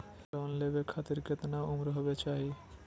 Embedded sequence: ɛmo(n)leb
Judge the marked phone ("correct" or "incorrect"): correct